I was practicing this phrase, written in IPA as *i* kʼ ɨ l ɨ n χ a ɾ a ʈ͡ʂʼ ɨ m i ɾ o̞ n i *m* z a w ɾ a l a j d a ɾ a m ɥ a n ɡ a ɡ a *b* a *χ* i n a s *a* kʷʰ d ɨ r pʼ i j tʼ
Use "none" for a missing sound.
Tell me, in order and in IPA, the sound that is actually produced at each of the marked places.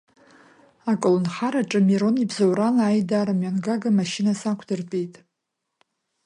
a, b, m, ʃ, a

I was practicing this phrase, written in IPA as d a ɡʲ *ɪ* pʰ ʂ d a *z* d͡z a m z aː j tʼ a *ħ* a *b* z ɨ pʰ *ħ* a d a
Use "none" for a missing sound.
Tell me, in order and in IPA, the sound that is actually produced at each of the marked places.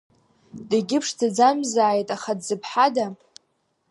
ɪ, none, χ, d, ħ

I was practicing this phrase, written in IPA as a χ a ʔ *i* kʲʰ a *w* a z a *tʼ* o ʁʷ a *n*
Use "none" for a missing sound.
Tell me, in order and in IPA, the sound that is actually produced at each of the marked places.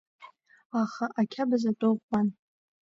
a, b, tʼ, n

